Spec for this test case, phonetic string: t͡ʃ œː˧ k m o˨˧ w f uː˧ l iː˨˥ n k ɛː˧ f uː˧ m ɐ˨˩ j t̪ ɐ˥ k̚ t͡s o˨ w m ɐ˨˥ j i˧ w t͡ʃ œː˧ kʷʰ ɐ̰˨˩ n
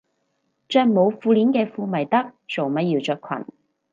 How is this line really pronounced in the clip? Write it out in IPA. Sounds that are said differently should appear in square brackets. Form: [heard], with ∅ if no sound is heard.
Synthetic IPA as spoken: t͡ʃ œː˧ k m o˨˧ w f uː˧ l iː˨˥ n k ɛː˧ f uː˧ m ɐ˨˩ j t̪ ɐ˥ k̚ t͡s o˨ w m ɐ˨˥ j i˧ w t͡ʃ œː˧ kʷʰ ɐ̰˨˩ n